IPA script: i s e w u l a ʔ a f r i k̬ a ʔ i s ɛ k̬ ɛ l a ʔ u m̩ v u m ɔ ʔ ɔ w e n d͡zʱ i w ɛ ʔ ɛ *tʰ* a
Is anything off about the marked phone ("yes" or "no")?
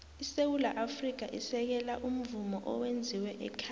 yes